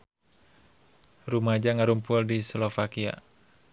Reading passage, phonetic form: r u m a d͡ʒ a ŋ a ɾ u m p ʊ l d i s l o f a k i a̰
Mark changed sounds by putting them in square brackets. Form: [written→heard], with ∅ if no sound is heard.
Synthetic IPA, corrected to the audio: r u m a d͡ʒ a ŋ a ɾ u m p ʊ l d i s l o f a k i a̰